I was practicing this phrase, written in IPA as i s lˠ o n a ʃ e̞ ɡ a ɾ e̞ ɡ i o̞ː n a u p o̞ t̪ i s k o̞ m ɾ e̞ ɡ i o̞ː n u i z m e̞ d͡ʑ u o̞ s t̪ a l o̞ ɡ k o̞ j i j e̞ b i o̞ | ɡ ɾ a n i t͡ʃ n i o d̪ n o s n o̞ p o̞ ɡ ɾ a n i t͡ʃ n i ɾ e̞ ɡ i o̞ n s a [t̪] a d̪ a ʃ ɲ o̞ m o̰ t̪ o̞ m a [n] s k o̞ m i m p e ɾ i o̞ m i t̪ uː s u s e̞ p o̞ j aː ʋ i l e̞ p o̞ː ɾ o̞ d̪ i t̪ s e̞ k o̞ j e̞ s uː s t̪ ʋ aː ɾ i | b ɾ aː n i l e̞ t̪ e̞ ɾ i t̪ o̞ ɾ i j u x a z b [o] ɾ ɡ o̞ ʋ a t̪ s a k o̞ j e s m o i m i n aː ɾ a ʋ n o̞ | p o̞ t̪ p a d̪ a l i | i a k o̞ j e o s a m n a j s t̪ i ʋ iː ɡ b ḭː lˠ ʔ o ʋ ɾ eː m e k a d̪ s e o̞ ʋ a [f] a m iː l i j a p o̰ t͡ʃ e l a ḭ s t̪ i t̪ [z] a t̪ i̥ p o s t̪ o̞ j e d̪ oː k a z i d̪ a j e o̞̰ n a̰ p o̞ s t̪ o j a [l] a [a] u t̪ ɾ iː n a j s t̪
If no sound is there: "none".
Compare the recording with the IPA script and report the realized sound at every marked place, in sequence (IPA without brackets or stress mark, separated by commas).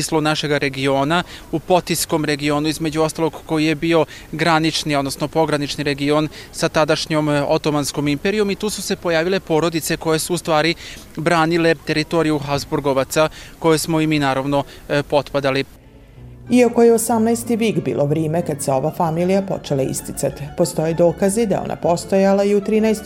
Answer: t̪, n, u, f, s, l, i